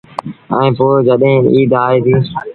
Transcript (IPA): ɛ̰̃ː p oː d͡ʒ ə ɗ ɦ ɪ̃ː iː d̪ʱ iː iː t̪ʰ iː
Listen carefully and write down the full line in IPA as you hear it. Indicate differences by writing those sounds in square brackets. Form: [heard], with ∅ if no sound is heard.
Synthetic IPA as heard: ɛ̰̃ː p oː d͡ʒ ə ɗ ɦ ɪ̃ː iː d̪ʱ [aː] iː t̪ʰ iː